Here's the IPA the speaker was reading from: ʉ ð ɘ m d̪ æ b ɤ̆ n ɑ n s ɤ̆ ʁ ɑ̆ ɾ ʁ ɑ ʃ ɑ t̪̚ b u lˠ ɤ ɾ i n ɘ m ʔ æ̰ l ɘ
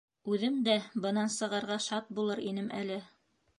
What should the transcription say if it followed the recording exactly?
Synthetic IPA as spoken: ʉ ð ɘ m d̪ æ b ɤ̆ n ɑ n s ɤ̆ ʁ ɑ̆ ɾ ʁ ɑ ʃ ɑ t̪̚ b u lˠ ɤ ɾ i n ɘ m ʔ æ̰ l ɘ